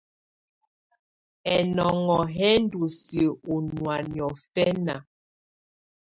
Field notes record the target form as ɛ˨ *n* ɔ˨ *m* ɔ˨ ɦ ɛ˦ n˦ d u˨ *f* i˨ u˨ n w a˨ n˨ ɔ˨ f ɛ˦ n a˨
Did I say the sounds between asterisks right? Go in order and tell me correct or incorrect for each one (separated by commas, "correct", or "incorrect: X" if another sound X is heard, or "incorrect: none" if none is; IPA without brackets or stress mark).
correct, incorrect: ŋ, incorrect: s